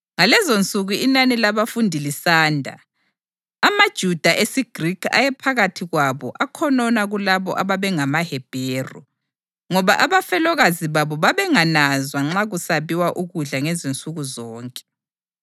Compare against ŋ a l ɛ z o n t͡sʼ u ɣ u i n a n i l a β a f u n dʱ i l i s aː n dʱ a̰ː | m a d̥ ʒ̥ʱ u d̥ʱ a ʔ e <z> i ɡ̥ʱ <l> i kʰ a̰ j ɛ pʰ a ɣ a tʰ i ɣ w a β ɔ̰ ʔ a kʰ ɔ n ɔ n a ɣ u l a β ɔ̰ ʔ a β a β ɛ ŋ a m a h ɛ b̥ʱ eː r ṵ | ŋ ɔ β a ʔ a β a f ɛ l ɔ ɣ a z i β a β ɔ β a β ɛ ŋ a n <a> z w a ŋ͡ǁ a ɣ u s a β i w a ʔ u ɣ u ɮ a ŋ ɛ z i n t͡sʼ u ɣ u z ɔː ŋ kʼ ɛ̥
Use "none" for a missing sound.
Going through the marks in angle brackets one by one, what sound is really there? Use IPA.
s, r, a

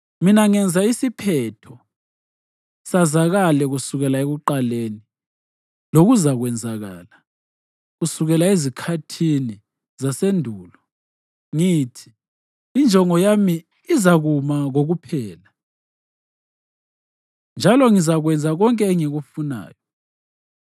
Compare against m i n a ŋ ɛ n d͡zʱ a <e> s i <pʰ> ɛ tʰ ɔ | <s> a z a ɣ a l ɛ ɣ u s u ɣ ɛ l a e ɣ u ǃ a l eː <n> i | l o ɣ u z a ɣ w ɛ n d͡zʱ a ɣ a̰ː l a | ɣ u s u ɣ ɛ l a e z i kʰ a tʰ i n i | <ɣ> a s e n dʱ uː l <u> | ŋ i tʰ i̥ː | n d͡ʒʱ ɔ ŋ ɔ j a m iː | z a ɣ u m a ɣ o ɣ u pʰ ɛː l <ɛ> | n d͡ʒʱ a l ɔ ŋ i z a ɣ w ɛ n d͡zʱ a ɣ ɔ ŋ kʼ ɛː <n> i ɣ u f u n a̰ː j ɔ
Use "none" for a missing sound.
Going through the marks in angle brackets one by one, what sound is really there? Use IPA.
i, pʰ, s, n, z, ɔ, a, ŋ

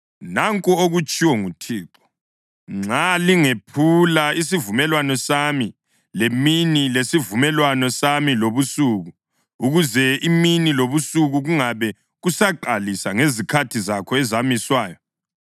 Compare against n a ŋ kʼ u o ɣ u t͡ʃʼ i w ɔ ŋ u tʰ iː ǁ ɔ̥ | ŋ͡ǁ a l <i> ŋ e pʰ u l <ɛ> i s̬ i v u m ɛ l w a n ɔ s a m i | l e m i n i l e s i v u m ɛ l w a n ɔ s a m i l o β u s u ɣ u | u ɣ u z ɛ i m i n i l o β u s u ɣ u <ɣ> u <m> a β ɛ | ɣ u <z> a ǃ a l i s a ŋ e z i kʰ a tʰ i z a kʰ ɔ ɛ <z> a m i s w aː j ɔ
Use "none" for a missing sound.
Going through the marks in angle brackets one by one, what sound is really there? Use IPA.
i, a, ɣ, ŋ, s, z

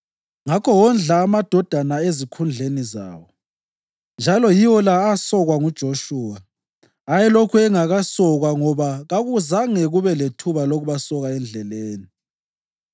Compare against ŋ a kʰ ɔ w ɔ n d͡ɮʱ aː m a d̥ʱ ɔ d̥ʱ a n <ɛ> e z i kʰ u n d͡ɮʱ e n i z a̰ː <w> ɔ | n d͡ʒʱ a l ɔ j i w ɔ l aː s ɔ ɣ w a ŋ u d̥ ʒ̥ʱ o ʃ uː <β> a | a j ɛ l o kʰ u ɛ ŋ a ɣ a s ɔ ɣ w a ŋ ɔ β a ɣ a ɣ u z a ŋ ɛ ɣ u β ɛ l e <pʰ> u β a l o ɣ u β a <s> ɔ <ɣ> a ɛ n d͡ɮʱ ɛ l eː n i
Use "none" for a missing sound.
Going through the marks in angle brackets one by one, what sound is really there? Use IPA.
a, w, w, tʰ, s, ɣ

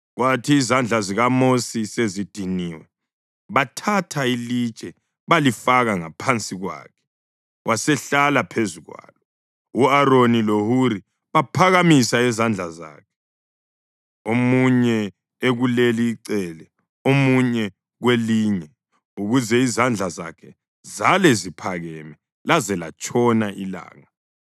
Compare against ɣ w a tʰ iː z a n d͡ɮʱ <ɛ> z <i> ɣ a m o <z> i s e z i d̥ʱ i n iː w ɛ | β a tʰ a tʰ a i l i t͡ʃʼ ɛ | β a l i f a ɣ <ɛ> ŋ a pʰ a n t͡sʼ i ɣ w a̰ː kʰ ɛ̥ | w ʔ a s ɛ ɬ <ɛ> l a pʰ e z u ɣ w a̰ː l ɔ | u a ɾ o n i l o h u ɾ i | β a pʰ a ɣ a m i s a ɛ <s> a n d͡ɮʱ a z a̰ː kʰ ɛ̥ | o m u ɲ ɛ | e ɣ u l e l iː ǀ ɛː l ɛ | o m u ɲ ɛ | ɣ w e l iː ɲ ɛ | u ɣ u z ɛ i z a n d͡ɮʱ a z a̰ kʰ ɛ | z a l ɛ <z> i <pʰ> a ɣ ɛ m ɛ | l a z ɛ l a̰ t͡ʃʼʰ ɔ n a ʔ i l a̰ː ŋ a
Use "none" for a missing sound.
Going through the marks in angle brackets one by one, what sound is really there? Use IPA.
a, i, s, a, a, z, z, pʰ

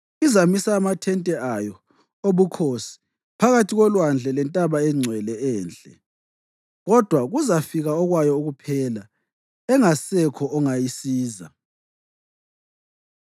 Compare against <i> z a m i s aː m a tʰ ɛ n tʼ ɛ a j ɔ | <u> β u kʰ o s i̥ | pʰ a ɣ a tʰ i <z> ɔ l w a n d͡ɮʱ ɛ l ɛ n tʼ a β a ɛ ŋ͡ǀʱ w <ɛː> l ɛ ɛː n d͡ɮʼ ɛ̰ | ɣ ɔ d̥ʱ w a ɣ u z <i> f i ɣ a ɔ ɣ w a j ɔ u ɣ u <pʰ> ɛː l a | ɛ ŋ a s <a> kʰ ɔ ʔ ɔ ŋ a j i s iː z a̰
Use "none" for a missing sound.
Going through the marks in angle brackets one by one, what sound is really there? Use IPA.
i, o, ɣ, ɛ, a, pʰ, ɛ

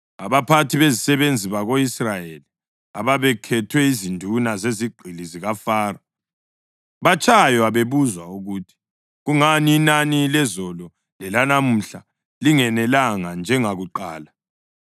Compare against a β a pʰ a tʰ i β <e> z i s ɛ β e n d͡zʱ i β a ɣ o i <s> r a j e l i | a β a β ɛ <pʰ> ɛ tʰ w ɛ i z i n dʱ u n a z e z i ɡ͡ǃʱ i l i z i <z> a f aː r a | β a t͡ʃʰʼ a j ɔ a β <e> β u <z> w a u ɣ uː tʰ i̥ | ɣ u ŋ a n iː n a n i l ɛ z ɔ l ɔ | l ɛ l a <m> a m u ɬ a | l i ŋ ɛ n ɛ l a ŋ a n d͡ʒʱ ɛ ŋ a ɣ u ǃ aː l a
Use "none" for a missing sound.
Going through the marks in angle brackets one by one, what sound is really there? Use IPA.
e, s, kʰ, ɣ, e, z, n

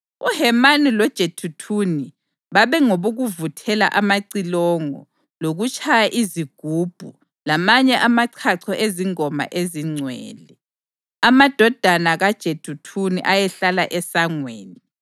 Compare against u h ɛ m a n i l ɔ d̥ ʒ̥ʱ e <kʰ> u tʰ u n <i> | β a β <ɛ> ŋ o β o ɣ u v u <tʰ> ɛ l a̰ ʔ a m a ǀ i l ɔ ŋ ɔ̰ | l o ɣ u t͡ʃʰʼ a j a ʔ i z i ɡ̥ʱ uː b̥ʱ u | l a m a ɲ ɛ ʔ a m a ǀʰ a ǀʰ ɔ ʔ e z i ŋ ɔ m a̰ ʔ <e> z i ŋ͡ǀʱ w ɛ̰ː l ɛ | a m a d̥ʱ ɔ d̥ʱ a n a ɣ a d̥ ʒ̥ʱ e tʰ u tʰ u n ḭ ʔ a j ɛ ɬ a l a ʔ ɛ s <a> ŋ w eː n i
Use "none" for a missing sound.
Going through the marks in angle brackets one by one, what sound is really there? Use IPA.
tʰ, i, ɛ, tʰ, e, a

